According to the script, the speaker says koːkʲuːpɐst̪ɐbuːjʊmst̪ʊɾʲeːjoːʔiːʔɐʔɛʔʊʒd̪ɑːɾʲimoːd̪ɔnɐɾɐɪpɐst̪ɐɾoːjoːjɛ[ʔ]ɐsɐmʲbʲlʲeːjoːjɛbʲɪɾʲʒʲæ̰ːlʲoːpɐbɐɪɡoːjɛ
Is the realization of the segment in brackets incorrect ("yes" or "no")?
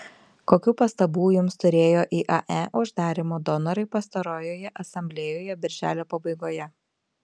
no